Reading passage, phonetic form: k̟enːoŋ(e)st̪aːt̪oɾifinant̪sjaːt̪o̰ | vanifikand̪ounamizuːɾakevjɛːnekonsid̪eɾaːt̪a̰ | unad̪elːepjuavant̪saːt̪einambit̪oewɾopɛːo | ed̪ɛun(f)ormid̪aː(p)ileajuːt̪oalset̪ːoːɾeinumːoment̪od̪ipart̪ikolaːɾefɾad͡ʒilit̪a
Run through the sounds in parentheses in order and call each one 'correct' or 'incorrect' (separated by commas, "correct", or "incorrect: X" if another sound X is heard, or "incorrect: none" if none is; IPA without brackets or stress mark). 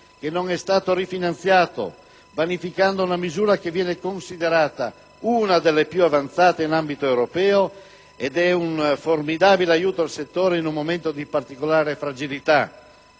incorrect: ɛ, correct, incorrect: b